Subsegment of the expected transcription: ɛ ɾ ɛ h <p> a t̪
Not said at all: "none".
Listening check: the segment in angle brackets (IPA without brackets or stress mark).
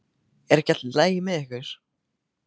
c